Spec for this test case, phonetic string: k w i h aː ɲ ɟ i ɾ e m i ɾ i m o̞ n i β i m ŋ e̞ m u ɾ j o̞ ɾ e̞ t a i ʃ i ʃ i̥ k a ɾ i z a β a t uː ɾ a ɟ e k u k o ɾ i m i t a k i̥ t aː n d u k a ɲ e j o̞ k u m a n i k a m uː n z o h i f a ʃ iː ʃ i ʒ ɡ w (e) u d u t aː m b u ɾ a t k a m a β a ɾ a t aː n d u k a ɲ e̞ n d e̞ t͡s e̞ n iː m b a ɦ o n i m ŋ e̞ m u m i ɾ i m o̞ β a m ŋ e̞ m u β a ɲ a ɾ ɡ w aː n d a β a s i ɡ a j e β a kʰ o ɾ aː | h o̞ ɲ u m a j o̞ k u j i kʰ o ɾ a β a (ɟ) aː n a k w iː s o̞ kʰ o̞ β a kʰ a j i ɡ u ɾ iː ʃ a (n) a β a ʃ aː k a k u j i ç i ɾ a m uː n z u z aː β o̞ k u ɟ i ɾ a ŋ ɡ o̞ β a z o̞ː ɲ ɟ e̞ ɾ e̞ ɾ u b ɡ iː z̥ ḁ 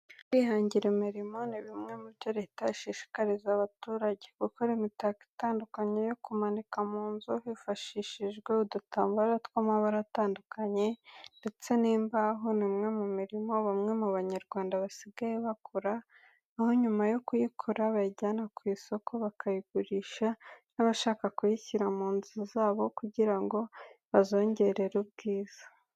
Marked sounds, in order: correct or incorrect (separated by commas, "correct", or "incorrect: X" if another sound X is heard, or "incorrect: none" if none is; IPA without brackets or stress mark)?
correct, correct, correct